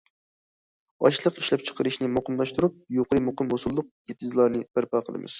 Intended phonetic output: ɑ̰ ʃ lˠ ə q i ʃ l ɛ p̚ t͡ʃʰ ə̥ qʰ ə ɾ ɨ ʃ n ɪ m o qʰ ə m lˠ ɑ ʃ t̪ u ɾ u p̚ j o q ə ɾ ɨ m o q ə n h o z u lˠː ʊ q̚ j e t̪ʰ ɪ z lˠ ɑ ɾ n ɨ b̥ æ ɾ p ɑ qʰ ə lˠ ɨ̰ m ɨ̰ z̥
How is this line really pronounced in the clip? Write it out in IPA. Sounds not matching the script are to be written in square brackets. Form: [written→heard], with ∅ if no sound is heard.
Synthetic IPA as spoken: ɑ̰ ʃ lˠ ə q i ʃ l ɛ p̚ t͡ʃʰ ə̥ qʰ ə ɾ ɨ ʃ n ɪ m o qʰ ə m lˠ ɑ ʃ t̪ u ɾ u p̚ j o q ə ɾ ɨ m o q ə [n→m] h o [z→s] u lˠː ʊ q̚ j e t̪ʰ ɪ z lˠ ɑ ɾ n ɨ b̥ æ ɾ p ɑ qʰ ə lˠ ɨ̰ m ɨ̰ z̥